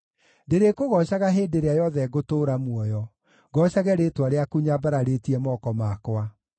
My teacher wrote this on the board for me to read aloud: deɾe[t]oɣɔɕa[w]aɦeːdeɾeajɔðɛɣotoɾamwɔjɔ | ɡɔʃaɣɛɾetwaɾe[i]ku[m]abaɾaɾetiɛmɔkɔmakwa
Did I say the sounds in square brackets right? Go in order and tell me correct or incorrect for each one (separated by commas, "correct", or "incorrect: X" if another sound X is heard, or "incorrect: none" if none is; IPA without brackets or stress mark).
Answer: incorrect: k, incorrect: ɣ, incorrect: a, incorrect: ɲ